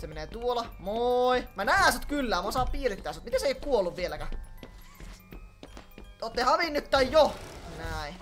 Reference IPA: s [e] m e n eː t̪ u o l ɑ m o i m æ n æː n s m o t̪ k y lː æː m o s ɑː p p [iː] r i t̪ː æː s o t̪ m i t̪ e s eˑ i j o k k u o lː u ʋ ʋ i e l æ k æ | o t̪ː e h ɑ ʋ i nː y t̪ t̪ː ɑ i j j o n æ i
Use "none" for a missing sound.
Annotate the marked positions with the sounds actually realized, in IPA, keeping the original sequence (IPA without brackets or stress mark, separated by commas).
e, iː